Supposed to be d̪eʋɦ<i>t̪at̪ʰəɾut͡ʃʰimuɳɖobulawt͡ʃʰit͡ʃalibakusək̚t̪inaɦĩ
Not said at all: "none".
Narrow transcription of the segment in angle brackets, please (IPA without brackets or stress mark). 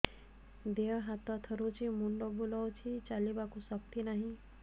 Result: a